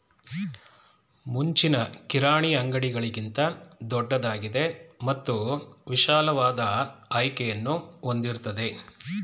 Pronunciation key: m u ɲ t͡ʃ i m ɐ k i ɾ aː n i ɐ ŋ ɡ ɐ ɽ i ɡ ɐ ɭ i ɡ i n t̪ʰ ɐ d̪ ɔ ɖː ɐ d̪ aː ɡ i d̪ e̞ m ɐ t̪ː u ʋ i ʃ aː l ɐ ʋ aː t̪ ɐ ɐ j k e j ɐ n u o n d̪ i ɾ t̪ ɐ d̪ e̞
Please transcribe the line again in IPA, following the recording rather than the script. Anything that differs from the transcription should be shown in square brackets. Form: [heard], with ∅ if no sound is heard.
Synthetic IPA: m u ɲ t͡ʃ i [n] ɐ k i ɾ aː [ɳ] i ɐ ŋ ɡ ɐ ɽ i ɡ ɐ ɭ i ɡ i n [t̪] ɐ d̪ ɔ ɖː ɐ d̪ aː ɡ i d̪ e̞ m ɐ t̪ː u ʋ i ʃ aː l ɐ ʋ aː [d̪] ɐ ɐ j k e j ɐ [nː] u o n d̪ i ɾ t̪ ɐ d̪ e̞